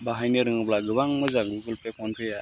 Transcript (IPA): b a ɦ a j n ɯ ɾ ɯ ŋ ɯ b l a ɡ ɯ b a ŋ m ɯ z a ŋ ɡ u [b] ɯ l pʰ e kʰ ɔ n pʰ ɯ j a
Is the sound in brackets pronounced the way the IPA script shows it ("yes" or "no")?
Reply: no